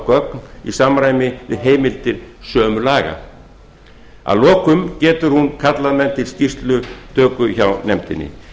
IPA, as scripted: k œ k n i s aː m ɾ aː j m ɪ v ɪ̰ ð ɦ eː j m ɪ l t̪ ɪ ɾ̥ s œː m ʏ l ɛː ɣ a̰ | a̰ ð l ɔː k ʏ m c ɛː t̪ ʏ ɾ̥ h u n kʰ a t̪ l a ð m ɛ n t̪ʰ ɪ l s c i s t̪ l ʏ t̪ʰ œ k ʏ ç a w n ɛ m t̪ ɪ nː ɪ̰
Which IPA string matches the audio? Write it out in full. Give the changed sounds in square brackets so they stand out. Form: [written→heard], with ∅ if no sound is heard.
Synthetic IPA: k œ k n i s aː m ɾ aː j m ɪ v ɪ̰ ð ɦ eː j m ɪ l t̪ ɪ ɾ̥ s œː m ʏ l [ɛː→aː] ɣ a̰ | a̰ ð l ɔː k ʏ m c ɛː t̪ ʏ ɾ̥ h u n kʰ a t̪ l a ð m ɛ n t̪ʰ ɪ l s c i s t̪ l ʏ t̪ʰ [œ→œː] k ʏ ç a w n ɛ m t̪ ɪ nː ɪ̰